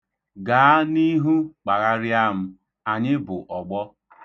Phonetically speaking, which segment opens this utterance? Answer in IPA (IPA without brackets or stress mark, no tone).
ɡ